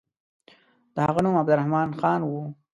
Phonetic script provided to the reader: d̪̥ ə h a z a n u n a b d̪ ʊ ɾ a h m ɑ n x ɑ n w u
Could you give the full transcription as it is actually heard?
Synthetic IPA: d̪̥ ə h a ɣ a n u m a b d̪ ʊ ɾ a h m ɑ n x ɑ n w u